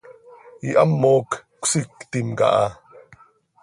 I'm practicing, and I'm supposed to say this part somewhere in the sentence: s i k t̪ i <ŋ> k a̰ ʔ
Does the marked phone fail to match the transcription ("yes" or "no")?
yes